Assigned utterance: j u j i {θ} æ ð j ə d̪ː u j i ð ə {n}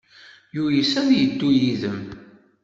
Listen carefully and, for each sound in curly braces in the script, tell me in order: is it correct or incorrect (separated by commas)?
incorrect, incorrect